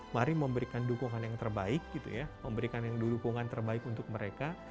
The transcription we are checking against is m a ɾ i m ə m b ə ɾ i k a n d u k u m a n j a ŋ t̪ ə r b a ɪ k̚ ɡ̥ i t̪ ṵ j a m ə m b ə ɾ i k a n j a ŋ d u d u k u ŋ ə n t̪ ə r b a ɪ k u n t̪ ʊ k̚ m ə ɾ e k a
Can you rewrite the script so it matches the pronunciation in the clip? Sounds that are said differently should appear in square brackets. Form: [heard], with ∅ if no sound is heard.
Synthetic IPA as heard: m a ɾ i m ə m b ə ɾ i k a n d u k u [ŋ] a n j a ŋ t̪ ə r b a ɪ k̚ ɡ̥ i t̪ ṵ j a m ə m b ə ɾ i k a n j a ŋ d u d u k u ŋ [a] n t̪ ə r b a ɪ k u n t̪ ʊ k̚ m ə ɾ e k a